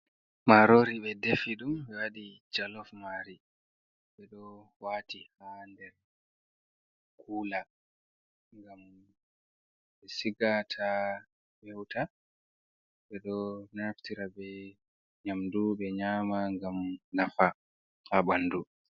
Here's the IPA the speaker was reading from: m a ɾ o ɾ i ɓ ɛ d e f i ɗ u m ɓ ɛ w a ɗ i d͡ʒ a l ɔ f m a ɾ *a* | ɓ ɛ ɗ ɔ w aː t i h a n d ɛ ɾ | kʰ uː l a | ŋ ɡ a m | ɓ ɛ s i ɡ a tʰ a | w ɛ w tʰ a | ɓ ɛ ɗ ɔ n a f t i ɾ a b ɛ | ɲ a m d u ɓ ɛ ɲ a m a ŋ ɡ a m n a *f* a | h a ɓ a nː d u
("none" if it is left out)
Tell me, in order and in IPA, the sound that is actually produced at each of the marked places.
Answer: i, f

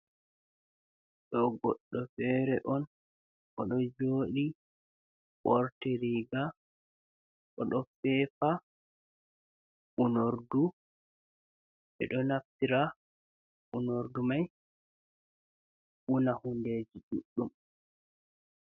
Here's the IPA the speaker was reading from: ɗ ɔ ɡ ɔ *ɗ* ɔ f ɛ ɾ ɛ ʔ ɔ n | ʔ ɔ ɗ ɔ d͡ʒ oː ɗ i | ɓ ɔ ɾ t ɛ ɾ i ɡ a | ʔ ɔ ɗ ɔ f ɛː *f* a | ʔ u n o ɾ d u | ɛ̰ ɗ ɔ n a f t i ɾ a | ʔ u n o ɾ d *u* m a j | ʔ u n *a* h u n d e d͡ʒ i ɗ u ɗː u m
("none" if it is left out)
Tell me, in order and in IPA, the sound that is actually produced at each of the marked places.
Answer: ɗː, f, u, a

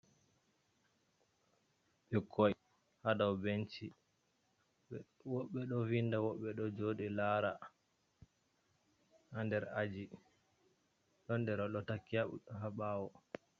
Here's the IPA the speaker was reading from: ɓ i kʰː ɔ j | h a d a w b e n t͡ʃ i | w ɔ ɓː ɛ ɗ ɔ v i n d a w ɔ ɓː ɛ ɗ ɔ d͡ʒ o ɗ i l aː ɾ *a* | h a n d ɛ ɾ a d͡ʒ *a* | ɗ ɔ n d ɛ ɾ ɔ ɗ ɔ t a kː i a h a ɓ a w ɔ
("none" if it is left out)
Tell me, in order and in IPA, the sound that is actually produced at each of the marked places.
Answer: a, i

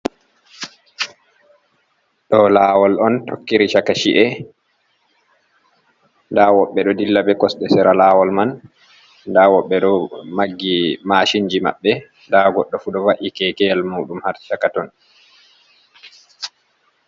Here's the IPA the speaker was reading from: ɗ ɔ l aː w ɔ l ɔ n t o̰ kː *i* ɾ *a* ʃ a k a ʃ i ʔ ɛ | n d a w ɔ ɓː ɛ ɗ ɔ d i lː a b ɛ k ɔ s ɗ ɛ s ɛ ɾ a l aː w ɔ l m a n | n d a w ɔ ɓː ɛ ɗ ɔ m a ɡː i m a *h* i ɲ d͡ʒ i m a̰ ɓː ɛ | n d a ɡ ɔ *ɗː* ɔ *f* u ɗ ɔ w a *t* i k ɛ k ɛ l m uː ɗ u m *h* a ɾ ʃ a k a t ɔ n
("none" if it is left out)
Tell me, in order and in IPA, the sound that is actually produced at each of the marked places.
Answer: i, i, ʃ, ɗː, f, ʔ, h

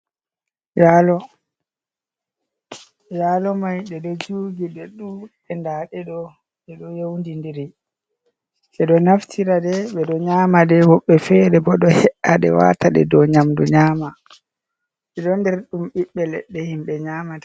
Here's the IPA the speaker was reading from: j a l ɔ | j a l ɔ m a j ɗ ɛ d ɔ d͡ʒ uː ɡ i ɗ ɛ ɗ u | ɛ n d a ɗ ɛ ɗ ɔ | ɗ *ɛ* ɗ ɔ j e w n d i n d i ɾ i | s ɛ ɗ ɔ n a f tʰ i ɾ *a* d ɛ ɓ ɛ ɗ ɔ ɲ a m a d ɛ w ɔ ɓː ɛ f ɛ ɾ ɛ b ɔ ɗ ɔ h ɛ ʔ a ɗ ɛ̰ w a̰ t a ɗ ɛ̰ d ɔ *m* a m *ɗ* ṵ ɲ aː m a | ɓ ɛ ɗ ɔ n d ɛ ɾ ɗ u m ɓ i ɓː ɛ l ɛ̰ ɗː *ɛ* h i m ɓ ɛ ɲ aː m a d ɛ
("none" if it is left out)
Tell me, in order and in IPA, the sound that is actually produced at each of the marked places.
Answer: ɛ, a, ɲ, d, ɛ

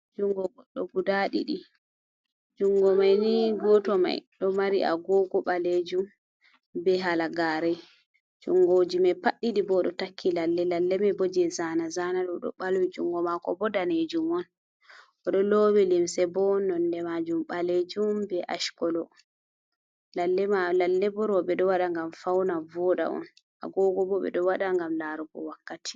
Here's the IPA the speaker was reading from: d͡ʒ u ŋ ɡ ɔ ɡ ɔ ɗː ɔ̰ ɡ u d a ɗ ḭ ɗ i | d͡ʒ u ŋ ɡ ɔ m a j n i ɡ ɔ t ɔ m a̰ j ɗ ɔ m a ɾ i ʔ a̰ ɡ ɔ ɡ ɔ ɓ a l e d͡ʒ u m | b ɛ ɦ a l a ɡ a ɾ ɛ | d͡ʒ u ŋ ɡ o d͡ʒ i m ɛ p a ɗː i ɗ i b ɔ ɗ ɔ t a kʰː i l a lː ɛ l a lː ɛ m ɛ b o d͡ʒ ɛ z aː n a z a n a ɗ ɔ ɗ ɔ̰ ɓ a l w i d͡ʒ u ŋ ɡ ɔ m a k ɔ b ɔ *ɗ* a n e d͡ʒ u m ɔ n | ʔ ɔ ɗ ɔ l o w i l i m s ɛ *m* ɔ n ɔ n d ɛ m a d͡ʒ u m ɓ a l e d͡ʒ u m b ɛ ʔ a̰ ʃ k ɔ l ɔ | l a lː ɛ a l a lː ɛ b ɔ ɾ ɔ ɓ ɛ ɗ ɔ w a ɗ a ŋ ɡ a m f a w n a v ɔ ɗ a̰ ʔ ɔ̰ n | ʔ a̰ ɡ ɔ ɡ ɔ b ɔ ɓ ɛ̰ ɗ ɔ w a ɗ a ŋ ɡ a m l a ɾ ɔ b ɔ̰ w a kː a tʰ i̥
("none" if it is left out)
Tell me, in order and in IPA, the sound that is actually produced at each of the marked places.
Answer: d, b

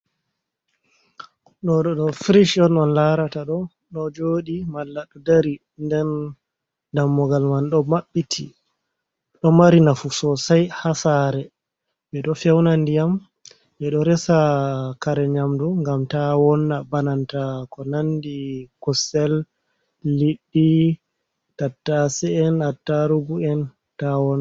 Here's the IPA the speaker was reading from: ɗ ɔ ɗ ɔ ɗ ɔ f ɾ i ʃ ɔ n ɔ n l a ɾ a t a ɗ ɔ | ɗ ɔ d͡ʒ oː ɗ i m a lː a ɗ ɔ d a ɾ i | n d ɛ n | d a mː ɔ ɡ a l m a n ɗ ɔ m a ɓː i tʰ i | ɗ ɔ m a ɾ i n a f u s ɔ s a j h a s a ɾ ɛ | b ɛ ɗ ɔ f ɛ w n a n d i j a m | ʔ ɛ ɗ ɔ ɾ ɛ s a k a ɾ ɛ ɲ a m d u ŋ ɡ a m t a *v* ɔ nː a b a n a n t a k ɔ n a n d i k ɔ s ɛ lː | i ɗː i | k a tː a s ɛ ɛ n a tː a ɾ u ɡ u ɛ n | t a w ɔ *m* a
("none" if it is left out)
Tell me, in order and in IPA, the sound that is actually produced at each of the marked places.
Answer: w, n

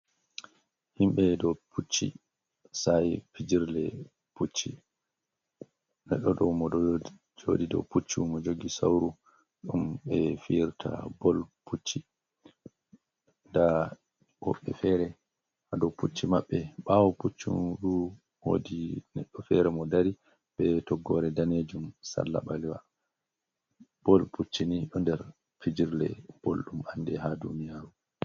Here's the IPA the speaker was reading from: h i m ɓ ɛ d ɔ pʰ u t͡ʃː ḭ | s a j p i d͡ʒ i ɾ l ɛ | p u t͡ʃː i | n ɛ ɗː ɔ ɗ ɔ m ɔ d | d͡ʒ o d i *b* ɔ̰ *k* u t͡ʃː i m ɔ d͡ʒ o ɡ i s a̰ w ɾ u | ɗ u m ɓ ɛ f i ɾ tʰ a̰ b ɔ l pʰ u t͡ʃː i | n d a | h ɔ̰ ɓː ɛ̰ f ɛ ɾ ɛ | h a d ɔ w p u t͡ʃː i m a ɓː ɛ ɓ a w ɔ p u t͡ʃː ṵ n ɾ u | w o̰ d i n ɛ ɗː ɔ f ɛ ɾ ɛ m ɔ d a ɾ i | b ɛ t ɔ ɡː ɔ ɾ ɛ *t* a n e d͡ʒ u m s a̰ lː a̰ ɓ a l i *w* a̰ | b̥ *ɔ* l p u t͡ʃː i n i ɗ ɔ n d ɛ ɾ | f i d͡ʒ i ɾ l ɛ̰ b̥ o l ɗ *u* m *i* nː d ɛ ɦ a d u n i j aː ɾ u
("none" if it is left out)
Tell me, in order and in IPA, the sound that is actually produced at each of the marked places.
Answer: d, p, d, w, ɔ, u, a

